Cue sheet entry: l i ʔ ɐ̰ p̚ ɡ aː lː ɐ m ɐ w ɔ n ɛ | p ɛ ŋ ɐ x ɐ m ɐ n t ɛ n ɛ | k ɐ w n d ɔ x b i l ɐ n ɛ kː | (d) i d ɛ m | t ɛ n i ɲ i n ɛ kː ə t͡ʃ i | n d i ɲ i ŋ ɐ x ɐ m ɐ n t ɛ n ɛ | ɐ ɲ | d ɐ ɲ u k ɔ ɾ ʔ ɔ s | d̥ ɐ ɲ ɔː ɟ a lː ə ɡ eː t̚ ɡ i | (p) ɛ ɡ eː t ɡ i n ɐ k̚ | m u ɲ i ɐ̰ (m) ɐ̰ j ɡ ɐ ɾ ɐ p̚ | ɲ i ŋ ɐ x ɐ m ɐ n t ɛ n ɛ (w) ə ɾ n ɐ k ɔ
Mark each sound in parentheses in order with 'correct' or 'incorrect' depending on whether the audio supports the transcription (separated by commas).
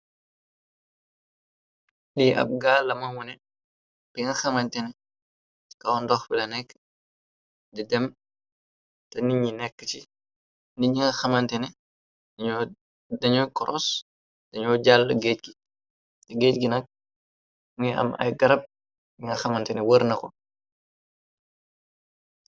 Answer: correct, incorrect, correct, correct